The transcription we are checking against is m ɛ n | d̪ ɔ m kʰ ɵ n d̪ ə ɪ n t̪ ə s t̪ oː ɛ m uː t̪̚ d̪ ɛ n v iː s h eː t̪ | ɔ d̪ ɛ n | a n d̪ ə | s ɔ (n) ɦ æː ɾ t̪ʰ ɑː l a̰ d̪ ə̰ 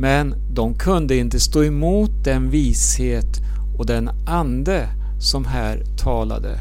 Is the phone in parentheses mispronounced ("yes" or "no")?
yes